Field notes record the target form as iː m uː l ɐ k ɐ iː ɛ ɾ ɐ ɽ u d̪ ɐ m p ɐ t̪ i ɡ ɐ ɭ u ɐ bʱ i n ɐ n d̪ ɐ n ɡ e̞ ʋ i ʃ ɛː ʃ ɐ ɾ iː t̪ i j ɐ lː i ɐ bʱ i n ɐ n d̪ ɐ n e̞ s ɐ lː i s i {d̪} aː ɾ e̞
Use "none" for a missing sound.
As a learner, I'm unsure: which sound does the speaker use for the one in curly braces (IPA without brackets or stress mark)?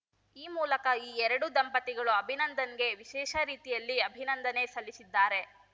d̪ː